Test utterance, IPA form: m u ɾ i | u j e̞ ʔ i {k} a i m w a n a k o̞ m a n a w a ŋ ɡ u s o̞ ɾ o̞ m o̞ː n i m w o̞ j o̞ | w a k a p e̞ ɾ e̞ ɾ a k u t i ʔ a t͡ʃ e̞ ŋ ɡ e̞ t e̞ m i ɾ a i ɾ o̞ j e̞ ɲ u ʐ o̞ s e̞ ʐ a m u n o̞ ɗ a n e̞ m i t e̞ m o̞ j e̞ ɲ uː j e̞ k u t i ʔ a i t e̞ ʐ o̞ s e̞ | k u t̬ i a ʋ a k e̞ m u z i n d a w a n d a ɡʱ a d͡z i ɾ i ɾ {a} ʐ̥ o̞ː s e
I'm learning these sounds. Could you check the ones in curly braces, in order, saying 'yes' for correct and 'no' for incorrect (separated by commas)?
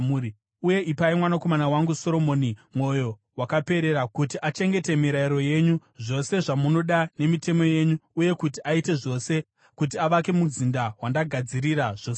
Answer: no, yes